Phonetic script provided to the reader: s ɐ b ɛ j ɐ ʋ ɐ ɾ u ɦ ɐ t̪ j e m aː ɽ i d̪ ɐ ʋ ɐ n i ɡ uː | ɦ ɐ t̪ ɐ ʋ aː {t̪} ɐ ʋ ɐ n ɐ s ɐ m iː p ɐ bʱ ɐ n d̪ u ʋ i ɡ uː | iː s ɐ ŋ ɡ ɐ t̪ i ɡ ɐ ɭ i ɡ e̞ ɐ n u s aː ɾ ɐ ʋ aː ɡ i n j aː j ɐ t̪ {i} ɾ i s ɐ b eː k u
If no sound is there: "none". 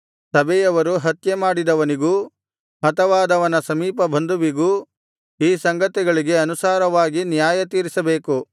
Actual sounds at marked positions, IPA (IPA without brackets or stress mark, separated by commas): d̪, iː